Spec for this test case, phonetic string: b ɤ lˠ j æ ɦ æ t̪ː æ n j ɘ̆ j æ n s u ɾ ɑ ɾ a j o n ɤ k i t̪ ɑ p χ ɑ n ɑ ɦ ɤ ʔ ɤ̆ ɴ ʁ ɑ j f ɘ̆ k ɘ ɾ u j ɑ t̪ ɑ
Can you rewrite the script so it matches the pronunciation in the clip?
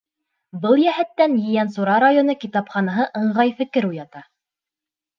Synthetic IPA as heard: b ɤ lˠ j æ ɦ æ t̪ː æ n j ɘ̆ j æ n s u ɾ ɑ ɾ a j o n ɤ k i t̪ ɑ p χ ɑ n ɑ ɦ ɤ ʔ ɤ̆ ɴ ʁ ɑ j f ɘ̆ k ɘ ɾ u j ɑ t̪ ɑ